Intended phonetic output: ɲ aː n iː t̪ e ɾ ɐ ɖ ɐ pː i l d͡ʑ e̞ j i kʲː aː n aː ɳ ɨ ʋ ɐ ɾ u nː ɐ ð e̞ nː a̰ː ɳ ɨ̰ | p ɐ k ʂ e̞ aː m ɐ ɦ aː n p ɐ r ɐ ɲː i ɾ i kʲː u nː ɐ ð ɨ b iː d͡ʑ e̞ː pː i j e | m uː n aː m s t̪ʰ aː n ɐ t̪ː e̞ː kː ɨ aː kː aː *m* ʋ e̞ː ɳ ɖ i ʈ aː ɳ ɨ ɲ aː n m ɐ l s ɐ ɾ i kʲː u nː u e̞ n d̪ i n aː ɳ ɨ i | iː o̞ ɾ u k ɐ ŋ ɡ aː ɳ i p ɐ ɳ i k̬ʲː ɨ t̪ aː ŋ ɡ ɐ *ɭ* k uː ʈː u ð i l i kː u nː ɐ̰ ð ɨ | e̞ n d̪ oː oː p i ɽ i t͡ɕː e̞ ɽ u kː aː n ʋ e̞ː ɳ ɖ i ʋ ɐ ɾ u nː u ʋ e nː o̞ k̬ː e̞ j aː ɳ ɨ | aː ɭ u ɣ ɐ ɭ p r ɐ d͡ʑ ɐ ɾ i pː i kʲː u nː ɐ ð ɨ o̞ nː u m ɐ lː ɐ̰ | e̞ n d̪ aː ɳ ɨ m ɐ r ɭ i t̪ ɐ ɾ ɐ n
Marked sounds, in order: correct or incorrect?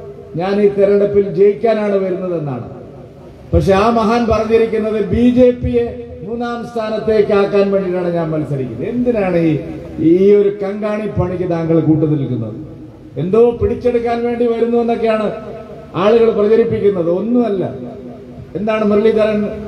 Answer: incorrect, correct

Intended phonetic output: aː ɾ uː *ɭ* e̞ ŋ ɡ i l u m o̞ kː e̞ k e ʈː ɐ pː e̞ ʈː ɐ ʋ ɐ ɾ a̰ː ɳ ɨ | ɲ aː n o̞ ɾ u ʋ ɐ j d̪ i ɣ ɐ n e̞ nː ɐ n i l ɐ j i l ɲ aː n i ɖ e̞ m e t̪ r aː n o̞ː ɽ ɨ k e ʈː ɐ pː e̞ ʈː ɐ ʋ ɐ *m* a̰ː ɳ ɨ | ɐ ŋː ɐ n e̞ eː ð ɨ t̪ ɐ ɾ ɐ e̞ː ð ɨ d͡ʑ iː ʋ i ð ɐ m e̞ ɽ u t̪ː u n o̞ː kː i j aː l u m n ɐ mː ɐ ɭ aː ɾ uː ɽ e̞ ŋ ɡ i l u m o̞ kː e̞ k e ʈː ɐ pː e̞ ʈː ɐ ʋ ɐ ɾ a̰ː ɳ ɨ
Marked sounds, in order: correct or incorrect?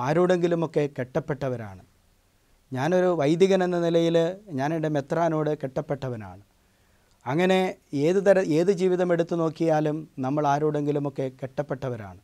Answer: incorrect, incorrect

